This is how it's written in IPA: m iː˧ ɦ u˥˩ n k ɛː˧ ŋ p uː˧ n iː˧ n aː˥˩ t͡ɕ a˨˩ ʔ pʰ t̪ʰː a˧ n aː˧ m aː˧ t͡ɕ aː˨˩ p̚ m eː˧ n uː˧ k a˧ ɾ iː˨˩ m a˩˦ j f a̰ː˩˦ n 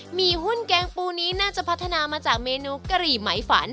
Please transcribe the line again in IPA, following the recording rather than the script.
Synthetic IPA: m iː˧ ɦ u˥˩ n k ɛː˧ ŋ p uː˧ n iː˦˥ n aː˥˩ t͡ɕ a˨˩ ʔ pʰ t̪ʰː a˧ n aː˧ m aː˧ t͡ɕ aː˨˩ k̚ m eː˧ n uː˧ k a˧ ɾ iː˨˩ m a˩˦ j f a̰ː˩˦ n